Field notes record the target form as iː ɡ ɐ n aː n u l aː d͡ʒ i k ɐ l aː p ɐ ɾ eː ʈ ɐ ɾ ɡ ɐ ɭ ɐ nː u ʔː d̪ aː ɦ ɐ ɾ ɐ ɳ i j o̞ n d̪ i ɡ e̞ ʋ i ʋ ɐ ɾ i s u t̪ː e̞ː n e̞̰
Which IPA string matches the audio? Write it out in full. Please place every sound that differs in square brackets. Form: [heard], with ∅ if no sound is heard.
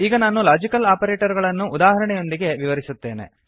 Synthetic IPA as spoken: iː ɡ ɐ n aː n u l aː d͡ʒ i k ɐ l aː p ɐ ɾ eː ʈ ɐ ɾ ɡ ɐ ɭ ɐ nː u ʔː d̪ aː ɦ ɐ ɾ ɐ ɳ [ɛ] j o̞ n d̪ i ɡ e̞ ʋ i ʋ ɐ ɾ i s u t̪ː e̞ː n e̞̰